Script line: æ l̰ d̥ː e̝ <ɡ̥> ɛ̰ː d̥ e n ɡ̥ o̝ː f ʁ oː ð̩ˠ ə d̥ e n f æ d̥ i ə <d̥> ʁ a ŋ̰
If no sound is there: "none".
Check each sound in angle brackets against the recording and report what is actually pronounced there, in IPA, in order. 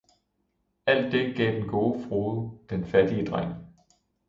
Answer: ɡ̥, d̥

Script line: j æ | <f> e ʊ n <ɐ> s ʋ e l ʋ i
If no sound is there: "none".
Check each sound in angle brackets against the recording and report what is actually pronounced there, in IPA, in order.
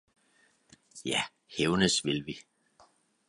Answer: h, ə

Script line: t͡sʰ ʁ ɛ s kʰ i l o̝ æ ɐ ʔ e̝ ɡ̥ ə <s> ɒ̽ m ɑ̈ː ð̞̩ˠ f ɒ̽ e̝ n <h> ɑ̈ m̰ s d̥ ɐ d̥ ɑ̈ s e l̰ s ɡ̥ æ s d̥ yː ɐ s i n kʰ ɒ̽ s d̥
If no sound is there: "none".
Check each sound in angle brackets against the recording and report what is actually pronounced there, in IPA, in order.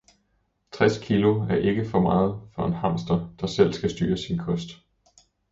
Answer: f, h

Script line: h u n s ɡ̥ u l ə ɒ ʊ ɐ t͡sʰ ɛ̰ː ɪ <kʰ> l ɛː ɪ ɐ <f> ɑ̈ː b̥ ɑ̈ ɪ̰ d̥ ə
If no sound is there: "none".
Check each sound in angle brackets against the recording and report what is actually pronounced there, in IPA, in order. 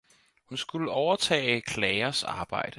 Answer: kʰ, s

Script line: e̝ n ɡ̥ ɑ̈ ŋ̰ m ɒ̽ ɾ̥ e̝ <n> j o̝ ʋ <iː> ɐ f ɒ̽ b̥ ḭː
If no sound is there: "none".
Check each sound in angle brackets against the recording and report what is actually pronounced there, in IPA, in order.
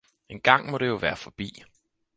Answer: none, æː

